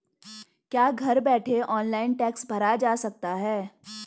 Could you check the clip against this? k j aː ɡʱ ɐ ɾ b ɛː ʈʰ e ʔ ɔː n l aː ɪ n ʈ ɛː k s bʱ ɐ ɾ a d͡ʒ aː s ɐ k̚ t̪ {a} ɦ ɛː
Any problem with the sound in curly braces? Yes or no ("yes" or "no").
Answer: no